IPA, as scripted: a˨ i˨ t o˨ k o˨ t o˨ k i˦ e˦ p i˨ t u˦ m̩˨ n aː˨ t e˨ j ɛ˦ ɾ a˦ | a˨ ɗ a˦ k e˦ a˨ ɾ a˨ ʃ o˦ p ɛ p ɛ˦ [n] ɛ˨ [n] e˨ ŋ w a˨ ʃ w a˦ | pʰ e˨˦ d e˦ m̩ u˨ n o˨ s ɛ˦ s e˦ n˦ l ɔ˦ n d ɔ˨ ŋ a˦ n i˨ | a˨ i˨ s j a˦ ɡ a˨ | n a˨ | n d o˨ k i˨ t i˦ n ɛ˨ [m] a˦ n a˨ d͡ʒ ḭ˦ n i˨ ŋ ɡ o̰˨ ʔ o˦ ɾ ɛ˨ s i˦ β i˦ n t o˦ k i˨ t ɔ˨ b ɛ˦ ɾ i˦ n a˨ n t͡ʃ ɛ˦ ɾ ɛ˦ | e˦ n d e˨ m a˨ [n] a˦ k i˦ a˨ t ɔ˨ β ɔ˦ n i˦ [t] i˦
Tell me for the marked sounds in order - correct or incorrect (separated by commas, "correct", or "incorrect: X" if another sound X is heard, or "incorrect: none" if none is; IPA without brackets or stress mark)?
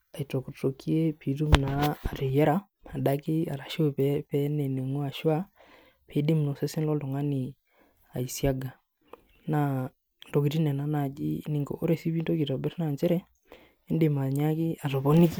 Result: correct, correct, incorrect: n, incorrect: ɲ, incorrect: k